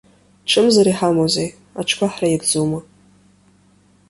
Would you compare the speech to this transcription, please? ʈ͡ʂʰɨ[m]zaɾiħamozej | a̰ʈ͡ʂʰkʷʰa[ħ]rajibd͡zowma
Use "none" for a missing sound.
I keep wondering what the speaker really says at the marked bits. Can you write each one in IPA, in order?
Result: m, ħ

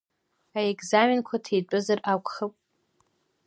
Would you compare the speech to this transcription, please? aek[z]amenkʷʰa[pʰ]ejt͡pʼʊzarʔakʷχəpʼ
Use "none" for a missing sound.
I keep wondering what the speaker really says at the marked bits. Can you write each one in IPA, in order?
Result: z, tʰ

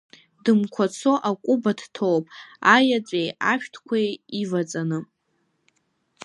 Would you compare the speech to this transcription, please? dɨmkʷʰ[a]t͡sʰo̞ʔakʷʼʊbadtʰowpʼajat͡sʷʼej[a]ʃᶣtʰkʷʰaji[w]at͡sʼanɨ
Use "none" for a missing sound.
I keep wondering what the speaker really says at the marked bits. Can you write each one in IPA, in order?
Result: a, a, v

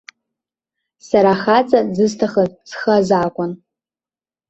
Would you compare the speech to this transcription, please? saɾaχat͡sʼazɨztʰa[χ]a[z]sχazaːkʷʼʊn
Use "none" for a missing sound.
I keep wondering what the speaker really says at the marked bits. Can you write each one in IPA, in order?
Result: χ, z

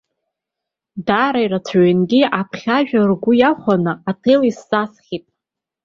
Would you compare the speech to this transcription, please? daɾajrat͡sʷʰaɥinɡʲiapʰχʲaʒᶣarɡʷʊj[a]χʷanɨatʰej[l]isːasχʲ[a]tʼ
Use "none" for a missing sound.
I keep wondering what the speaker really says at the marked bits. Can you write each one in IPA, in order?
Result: a, l, i

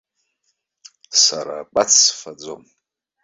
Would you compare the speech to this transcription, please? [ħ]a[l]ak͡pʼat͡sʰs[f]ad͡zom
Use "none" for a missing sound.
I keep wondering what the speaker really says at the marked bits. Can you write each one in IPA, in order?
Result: s, ɾ, f

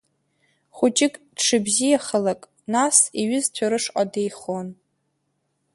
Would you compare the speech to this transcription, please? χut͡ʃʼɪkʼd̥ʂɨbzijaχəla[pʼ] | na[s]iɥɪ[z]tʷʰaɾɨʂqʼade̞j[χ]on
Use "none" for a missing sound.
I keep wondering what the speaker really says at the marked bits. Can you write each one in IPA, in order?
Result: kʼ, s, z, χ

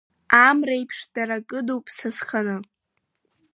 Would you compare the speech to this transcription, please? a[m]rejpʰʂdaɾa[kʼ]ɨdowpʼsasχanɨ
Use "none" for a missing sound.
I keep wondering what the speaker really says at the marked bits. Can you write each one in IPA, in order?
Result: m, kʼ

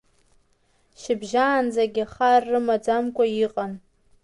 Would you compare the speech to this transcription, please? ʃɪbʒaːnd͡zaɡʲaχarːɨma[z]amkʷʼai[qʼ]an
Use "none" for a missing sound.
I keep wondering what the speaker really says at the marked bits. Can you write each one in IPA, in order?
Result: d͡z, qʼ

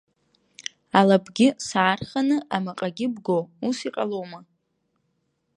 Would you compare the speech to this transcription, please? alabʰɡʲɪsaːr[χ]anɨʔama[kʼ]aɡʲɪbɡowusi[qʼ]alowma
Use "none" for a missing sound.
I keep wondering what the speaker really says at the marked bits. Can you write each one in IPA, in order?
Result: χ, qʼ, qʼ

